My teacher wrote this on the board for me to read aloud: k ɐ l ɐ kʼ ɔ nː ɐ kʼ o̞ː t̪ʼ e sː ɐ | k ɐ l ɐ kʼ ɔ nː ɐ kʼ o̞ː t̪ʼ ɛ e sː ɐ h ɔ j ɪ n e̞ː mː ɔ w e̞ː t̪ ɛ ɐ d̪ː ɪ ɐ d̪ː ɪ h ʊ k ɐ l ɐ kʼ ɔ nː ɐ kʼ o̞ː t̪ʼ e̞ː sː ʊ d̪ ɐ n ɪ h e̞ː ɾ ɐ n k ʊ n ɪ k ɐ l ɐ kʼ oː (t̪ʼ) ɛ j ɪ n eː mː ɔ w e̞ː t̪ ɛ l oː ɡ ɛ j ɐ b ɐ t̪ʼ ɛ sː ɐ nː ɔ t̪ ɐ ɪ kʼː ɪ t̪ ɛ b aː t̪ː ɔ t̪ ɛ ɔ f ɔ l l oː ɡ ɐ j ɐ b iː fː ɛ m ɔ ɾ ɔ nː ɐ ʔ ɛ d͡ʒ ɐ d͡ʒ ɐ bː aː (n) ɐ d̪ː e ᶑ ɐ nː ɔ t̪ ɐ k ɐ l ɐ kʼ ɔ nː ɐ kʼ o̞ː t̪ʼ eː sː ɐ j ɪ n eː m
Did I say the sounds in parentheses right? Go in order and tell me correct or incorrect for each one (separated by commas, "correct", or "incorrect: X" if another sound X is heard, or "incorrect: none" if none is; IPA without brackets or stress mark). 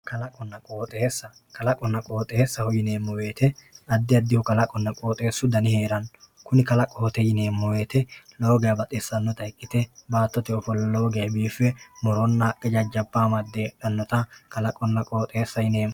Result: incorrect: t̪, incorrect: m